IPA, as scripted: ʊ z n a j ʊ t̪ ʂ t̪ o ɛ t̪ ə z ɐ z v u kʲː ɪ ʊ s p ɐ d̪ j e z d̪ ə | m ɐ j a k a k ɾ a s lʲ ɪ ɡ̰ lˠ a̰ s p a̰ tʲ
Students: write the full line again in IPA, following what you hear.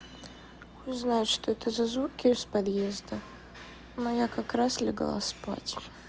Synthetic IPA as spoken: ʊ z n a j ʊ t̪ ʂ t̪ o ɛ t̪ ə z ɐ z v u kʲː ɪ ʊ s p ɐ d̪ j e z d̪ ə | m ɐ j a k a k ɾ a s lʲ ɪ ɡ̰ lˠ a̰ s p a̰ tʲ